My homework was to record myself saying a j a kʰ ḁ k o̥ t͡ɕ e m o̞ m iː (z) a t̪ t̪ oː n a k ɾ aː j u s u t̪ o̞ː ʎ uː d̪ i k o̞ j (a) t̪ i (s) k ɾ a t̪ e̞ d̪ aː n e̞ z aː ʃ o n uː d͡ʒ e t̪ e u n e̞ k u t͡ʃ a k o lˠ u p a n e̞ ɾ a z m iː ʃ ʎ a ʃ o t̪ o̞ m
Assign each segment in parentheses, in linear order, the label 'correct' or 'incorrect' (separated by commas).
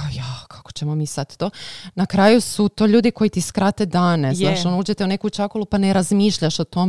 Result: incorrect, incorrect, correct